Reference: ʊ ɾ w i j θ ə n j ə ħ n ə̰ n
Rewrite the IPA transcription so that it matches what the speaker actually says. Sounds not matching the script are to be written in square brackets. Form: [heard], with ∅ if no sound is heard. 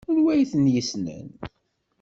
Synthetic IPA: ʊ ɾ w [æ] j θ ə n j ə [s] n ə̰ n